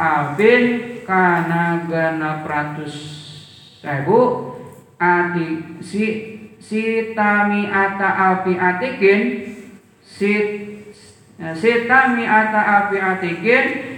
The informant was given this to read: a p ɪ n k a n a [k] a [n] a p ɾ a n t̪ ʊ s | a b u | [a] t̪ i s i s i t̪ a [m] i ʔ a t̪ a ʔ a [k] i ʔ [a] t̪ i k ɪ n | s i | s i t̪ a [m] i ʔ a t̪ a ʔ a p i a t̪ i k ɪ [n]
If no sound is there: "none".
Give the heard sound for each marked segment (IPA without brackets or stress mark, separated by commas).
ɡ, n, a, m, p, a, m, n